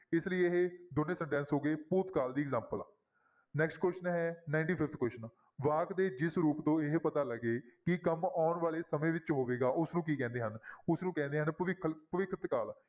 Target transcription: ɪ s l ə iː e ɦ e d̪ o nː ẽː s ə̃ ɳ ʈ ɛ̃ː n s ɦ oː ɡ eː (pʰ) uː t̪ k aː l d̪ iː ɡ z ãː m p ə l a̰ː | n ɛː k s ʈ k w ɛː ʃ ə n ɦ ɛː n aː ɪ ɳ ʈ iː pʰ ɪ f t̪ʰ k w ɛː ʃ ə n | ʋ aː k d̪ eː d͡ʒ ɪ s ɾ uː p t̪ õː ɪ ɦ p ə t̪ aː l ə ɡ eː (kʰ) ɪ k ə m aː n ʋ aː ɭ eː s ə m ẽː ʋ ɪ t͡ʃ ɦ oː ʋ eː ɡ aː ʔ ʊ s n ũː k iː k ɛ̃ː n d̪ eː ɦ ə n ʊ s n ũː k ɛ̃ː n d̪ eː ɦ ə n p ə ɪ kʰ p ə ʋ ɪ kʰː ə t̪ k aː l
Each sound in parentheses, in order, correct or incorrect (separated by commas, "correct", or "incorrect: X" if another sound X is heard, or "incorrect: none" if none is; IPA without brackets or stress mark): incorrect: p, incorrect: k